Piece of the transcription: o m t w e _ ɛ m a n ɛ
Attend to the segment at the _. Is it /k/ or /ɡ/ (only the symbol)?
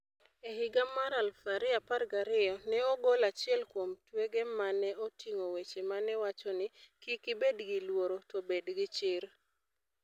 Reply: ɡ